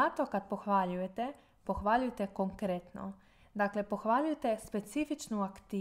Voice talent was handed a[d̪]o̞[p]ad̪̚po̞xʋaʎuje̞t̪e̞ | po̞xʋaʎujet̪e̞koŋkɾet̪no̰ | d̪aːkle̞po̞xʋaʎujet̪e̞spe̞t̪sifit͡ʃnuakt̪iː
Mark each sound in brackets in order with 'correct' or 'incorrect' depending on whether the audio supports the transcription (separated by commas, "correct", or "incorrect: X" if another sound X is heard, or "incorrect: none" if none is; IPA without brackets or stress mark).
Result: incorrect: t̪, incorrect: k